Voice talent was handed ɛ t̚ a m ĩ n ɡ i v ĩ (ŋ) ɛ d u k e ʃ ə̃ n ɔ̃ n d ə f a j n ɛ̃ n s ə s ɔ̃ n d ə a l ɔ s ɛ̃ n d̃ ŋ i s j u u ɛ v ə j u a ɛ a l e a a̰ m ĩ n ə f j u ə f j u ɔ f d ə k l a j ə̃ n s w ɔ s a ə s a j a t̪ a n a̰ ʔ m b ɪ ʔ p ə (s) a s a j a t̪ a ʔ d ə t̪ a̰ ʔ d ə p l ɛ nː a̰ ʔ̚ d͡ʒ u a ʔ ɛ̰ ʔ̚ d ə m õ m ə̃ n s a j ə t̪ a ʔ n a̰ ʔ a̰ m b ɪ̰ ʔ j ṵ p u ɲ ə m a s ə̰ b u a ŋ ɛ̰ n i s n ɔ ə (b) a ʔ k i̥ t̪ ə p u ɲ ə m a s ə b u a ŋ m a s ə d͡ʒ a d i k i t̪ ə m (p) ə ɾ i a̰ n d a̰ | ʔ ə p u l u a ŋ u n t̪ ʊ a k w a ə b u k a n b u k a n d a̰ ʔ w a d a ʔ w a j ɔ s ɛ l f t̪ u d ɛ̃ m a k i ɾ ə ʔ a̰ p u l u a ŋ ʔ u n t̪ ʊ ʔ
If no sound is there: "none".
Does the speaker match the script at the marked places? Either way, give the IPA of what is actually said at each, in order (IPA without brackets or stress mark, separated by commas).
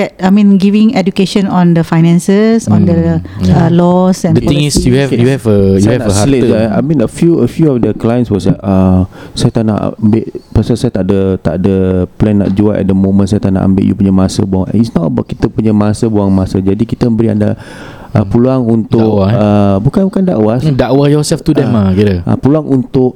ŋ, s, b, b